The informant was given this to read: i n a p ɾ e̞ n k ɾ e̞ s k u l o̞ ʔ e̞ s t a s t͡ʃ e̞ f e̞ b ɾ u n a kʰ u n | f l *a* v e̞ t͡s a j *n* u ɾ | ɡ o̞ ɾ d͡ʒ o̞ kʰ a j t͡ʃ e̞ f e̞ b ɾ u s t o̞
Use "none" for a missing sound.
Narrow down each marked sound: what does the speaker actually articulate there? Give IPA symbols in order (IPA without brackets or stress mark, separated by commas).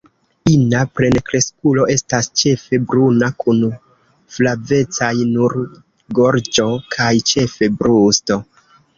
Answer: a, n